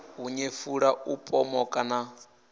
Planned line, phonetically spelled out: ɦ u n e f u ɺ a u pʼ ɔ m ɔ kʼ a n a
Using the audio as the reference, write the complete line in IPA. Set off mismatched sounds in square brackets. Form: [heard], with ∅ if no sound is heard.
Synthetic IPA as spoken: ɦ u [ɲ] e f u ɺ a u pʼ ɔ m ɔ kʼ a n a

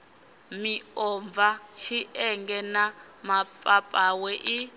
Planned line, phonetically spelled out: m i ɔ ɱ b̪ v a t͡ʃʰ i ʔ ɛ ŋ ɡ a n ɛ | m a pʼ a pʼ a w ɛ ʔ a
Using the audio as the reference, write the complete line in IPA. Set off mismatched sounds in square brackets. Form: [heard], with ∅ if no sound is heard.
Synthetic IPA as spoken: m i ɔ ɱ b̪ v a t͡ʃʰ i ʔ ɛ ŋ ɡ [ɛ] n [a] | m a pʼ a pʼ a w ɛ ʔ [i]

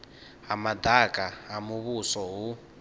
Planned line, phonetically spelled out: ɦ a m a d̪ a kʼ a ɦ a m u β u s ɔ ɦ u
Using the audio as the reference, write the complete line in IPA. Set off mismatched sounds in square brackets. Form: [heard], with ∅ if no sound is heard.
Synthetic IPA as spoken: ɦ a m a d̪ a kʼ a ɦ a m u β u s ɔ ɦ u

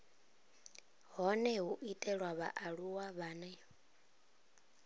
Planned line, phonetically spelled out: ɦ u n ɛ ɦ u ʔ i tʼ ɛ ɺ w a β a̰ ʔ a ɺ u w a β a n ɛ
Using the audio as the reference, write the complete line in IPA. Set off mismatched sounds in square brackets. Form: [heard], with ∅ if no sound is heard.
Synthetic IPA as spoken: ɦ [ɔ] n ɛ ɦ u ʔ i tʼ ɛ ɺ w a β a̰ ʔ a ɺ u w a β a n ɛ

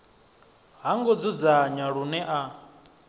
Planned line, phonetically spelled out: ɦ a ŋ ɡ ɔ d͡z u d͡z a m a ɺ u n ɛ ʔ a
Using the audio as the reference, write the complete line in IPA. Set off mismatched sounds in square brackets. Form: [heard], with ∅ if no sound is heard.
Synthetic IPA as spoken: ɦ a ŋ ɡ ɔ d͡z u d͡z a [ɲ] a ɺ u n ɛ ʔ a

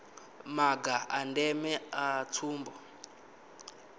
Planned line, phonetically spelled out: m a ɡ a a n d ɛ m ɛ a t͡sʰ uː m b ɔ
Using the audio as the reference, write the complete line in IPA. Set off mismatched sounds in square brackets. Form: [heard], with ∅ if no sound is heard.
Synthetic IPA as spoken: m a ɡ a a n d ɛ m ɛ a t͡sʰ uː m b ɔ

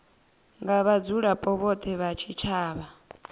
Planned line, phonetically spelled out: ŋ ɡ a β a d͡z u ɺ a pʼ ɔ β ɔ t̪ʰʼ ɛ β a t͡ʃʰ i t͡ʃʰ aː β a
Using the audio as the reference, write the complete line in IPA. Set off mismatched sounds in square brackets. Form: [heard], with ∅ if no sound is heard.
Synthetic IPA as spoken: ŋ ɡ a β a d͡z u ɺ a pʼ ɔ β ɔ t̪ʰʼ ɛ β a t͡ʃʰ i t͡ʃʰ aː β a

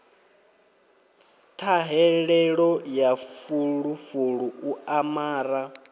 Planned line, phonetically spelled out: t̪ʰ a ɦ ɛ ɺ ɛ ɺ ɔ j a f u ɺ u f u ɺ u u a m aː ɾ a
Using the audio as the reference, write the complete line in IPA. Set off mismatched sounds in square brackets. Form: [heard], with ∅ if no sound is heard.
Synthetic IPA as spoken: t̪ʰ a ɦ ɛ ɺ ɛ ɺ ɔ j a f u ɺ u f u ɺ u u a m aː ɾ a

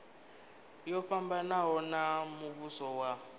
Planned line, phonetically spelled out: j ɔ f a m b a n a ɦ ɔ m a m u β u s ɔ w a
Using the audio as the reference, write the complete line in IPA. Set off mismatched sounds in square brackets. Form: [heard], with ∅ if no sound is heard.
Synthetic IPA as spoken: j ɔ f a m b a n a ɦ ɔ [n] a m u β u s ɔ w a

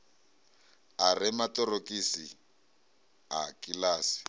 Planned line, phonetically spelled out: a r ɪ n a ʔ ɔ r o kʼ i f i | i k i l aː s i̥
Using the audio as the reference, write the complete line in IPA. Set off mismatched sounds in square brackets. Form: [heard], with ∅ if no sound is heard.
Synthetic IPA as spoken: a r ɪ [m] a [t] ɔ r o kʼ i [s] i | [a] k i l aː s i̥

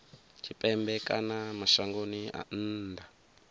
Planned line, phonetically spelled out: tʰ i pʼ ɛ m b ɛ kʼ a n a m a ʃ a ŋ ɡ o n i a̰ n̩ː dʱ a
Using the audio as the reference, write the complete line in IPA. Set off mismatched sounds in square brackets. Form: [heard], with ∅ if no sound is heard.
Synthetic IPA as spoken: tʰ i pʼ ɛ m b ɛ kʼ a n a m a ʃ a ŋ ɡ o n i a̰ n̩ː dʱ a

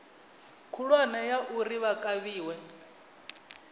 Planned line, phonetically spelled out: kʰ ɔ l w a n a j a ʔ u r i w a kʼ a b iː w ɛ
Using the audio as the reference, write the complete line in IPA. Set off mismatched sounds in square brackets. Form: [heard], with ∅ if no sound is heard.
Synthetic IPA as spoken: kʰ [u] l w a n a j a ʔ u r i [β] a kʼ a [β] iː w ɛ

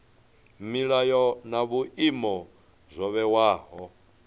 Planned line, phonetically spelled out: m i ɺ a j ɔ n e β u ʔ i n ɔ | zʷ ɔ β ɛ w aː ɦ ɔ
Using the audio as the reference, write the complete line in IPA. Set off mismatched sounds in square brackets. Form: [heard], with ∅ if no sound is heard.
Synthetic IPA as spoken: m i ɺ a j ɔ n [a] β u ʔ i [m] ɔ | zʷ ɔ β ɛ w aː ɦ ɔ

